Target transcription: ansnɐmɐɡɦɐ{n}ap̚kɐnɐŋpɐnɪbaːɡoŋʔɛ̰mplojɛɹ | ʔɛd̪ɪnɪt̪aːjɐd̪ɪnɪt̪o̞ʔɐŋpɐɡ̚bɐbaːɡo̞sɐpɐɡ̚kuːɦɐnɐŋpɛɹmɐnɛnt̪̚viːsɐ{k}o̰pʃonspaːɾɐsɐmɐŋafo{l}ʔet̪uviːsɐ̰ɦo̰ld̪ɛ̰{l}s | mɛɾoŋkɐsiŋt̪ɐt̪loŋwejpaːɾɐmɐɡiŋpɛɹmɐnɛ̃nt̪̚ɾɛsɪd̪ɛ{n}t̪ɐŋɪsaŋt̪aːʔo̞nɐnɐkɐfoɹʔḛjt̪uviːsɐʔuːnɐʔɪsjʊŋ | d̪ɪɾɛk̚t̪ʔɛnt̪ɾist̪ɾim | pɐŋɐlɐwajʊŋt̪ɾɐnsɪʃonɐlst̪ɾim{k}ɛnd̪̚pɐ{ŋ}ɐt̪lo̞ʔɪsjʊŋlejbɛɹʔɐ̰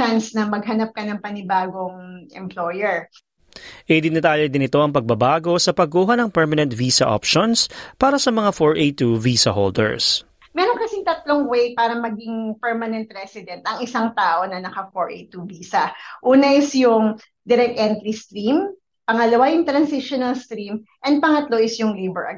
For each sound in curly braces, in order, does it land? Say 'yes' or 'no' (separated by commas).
yes, no, no, no, yes, no, yes